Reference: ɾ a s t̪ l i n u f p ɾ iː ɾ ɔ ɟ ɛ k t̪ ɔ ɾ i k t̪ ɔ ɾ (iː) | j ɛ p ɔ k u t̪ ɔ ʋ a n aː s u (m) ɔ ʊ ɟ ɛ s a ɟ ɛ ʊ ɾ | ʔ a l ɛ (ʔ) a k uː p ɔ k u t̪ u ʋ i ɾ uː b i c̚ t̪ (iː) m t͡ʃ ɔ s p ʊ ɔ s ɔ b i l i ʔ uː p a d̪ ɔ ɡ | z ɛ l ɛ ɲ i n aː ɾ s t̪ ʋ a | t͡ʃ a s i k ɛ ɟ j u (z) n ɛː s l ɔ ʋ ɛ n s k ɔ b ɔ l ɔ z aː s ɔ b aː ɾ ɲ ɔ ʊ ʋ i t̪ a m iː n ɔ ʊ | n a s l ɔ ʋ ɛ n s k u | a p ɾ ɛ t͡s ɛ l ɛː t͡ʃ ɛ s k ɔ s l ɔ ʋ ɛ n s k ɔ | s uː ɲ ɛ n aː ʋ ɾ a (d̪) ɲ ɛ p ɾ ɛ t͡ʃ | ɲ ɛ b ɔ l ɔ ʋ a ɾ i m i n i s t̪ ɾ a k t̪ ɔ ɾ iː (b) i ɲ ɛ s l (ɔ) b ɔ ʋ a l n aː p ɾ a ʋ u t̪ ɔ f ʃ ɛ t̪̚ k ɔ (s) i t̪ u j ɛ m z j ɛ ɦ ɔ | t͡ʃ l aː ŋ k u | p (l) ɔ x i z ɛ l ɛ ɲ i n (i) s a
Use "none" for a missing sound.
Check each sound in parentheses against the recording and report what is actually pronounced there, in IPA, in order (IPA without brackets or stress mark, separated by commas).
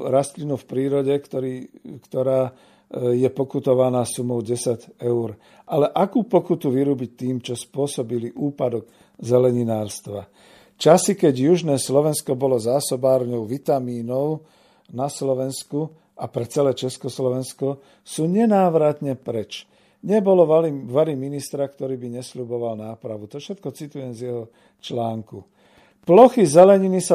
aː, m, ʔ, iː, ʒ, t̪, b, u, t͡s, l, i